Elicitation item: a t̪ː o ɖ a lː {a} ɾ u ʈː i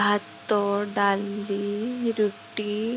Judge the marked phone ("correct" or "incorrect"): incorrect